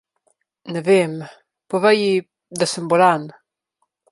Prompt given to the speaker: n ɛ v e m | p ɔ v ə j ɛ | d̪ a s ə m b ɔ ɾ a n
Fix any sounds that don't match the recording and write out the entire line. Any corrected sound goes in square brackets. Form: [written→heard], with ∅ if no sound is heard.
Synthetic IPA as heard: n ɛ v e m | p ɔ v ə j [ɛ→i] | d̪ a s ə m b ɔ [ɾ→l] a n